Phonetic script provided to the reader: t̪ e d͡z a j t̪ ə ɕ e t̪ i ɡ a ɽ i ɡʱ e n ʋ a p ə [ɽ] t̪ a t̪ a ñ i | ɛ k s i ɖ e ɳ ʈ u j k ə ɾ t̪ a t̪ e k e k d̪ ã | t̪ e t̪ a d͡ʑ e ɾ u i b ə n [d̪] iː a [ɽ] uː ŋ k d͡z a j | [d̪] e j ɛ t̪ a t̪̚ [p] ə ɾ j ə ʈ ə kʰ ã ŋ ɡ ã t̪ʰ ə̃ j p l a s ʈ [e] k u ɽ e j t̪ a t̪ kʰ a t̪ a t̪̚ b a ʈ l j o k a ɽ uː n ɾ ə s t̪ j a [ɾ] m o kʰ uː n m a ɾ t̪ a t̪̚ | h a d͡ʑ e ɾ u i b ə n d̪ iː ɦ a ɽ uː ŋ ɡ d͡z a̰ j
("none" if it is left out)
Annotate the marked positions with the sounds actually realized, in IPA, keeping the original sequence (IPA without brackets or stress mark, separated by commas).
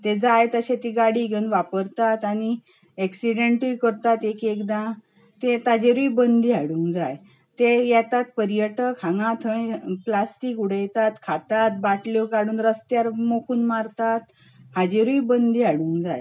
ɾ, d̪, ɽ, t̪, p, i, ɾ